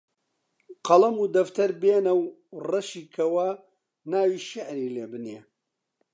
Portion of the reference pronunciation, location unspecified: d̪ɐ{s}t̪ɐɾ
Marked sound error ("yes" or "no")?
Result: yes